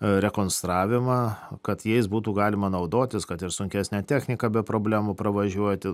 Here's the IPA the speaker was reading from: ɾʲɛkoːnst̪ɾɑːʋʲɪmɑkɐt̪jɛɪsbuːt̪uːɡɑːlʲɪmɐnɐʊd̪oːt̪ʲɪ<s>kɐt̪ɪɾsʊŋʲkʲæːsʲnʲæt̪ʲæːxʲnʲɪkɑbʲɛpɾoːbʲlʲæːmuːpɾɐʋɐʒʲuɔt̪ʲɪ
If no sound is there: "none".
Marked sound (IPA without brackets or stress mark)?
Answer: s